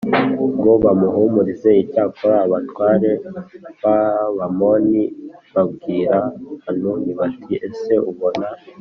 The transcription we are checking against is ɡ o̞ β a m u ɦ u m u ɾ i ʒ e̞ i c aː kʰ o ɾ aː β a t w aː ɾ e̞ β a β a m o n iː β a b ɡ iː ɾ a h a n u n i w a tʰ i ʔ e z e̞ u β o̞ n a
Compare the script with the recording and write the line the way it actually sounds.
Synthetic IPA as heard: ɡ o̞ β a m u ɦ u m u ɾ i z e̞ i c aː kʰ o ɾ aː β a t w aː ɾ e̞ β a β a m o n i β a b ɡ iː ɾ a h a n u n i β a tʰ i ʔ e s e̞ u β o̞ n a